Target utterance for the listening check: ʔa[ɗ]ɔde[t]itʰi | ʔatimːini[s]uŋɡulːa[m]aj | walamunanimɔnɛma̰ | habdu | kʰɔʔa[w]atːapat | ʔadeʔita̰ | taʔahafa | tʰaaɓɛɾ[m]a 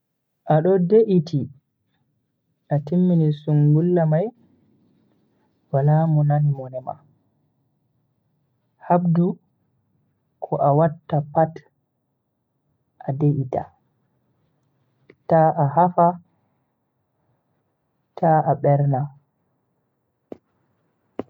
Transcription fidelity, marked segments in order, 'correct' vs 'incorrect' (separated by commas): correct, incorrect, correct, correct, correct, incorrect